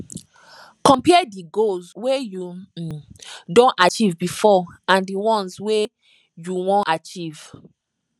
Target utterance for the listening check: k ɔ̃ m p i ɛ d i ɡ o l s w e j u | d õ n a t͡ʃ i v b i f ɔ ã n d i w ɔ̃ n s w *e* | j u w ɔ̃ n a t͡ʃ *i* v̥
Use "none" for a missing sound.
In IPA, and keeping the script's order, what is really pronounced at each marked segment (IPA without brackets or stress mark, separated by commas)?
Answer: e, i